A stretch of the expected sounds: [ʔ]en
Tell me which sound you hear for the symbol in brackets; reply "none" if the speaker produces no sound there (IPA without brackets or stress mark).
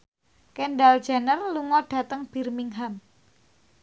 k